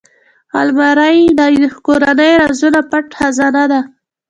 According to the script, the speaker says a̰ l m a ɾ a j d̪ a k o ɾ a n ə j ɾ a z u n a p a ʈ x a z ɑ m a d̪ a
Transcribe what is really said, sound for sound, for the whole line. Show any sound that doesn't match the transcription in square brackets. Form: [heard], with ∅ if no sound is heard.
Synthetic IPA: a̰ l m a ɾ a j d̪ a k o ɾ a n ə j ɾ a z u n a p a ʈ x a z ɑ [n] a d̪ a